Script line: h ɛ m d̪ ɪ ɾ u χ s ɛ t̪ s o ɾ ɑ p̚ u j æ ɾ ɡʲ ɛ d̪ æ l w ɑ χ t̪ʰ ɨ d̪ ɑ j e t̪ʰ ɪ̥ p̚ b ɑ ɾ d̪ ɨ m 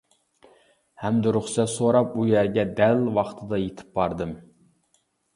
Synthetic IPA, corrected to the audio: h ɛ m d̪ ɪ ɾ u χ s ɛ t̪ s o ɾ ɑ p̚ u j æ ɾ ɡʲ ɛ d̪ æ l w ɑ χ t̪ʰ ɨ d̪ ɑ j e t̪ʰ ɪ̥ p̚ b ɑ ɾ d̪ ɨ m